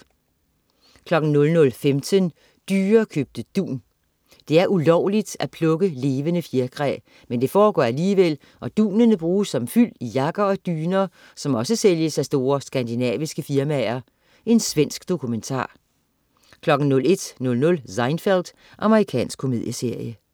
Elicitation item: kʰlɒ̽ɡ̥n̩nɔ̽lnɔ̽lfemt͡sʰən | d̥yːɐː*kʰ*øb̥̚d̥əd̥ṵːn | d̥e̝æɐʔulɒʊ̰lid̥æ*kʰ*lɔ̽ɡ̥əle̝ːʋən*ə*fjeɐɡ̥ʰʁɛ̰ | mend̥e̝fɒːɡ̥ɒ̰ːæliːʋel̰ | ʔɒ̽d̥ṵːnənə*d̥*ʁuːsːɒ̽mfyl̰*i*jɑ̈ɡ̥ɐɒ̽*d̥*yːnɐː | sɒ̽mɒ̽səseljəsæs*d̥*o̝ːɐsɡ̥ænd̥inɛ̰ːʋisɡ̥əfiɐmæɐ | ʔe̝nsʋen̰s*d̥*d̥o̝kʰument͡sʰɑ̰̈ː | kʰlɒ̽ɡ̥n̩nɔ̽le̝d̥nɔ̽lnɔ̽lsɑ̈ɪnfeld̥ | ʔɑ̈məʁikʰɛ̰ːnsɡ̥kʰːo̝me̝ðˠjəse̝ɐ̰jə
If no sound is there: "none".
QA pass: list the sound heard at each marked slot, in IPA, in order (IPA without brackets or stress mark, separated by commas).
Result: kʰ, pʰ, ə, b̥, i, d̥, d̥, ɡ̥